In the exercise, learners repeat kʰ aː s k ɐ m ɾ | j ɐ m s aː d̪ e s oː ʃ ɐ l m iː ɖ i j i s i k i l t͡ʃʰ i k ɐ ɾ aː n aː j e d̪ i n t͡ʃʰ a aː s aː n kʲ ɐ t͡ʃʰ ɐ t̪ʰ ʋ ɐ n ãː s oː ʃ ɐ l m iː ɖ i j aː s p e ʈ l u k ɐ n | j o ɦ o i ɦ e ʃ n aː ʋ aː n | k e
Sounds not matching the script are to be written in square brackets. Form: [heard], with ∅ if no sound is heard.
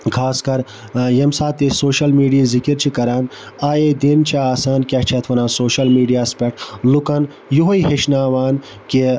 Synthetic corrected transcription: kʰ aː s k ɐ [∅] ɾ | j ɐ m s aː [t̪] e s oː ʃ ɐ l m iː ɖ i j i [z] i k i [ɾ] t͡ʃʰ i k ɐ ɾ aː n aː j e d̪ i n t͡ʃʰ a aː s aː n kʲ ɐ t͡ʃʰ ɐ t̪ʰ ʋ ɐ n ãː s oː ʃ ɐ l m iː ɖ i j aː s p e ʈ l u k ɐ n | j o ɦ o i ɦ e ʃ n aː ʋ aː n | k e